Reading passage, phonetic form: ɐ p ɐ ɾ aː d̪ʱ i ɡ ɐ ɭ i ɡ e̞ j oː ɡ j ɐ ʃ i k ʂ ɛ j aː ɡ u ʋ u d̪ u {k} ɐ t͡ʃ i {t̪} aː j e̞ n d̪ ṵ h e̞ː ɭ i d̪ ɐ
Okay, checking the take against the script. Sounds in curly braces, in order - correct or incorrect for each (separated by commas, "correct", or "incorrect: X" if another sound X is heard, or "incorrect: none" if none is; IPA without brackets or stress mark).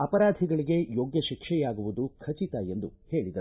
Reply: incorrect: kʰ, correct